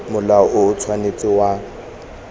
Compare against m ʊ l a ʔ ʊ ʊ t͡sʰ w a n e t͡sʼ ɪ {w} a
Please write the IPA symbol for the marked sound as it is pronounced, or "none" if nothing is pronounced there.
w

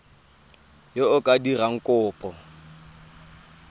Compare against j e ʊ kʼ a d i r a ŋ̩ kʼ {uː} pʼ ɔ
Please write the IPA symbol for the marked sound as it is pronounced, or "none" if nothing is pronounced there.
ʊː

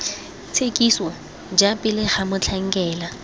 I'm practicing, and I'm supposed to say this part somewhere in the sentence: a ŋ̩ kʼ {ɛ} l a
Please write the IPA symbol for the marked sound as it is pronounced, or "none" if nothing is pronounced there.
ɛː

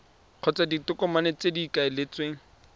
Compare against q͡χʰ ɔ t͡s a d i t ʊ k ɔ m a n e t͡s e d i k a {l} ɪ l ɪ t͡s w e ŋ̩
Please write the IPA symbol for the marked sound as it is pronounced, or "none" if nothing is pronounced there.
none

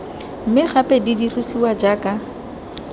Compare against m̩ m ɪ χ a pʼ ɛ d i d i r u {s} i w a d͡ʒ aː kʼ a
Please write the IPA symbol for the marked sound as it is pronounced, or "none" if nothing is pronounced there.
s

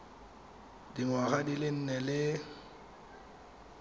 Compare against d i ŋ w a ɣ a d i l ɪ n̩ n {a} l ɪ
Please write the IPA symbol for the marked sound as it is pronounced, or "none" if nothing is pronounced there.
ɛ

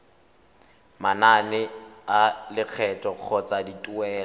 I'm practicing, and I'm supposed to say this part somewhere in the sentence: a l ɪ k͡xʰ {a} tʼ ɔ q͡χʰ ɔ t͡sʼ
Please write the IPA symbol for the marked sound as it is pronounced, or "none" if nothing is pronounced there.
ɛ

